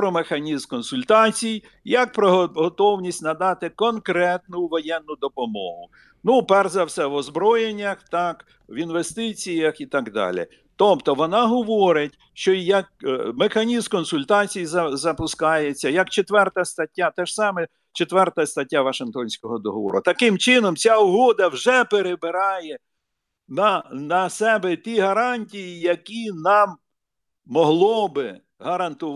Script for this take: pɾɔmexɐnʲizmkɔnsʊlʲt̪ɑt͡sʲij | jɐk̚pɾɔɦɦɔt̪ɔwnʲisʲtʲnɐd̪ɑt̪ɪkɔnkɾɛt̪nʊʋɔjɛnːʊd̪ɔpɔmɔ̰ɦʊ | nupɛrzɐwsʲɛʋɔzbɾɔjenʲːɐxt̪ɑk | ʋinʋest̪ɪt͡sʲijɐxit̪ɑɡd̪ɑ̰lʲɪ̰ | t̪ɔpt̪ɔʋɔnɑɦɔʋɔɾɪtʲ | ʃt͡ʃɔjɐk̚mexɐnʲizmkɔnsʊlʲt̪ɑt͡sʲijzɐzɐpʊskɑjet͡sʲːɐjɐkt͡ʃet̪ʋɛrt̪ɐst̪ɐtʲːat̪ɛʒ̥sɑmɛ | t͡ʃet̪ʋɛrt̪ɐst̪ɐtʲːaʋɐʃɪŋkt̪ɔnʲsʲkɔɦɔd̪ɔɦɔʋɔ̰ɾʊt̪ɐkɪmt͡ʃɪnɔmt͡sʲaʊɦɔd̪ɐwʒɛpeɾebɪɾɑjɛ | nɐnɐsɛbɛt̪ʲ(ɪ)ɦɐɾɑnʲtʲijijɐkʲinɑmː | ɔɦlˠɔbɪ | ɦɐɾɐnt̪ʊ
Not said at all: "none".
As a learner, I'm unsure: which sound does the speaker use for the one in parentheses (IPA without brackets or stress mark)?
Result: i